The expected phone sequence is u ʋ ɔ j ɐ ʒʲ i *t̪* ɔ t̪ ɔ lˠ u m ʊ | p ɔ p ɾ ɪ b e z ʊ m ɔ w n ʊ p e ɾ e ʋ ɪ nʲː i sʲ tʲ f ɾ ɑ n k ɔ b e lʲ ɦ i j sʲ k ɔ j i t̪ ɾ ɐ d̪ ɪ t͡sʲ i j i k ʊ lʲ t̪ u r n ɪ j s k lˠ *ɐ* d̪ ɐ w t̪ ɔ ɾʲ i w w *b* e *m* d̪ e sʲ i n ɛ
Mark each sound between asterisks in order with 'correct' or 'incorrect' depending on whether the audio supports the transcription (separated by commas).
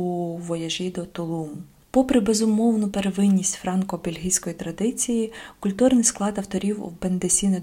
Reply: incorrect, incorrect, correct, incorrect